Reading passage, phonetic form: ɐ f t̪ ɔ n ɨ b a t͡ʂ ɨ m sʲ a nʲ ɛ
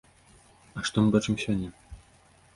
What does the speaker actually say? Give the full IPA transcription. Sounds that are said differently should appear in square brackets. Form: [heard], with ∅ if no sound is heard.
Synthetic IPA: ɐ [ʂ] t̪ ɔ [m] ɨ b a t͡ʂ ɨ m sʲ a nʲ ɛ